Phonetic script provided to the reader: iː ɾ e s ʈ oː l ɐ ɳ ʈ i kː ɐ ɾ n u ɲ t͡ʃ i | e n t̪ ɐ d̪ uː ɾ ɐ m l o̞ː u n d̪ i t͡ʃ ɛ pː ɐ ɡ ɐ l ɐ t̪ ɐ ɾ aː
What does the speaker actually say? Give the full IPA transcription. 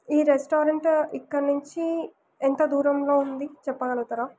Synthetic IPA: iː ɾ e s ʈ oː ɾ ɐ ɳ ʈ i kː ɐ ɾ n u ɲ t͡ʃ i | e n t̪ ɐ d̪ uː ɾ ɐ m l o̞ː u n d̪ i t͡ʃ ɛ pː ɐ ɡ ɐ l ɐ t̪ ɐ ɾ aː